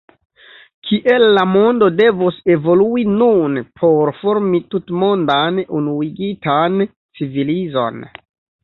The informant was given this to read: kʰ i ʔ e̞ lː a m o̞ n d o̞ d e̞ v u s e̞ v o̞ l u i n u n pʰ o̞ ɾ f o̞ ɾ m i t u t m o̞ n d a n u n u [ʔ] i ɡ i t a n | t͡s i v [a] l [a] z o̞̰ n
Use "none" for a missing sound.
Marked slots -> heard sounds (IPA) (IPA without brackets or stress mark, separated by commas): none, i, i